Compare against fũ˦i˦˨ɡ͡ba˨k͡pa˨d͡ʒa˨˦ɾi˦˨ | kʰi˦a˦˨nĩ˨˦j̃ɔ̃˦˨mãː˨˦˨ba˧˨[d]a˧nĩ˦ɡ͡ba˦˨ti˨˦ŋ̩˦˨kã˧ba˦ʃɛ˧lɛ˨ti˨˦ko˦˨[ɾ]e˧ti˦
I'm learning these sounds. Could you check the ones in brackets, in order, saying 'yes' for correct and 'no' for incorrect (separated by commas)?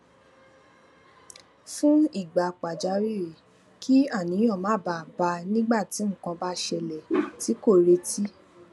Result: no, yes